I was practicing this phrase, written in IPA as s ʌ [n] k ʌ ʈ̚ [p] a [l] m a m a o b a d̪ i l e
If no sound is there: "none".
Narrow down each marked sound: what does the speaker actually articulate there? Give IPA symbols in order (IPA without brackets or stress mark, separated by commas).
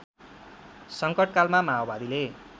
ŋ, k, l